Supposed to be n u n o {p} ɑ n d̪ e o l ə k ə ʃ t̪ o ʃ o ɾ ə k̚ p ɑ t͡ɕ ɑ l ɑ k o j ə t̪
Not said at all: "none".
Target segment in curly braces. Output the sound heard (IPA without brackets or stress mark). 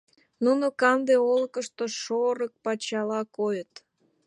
k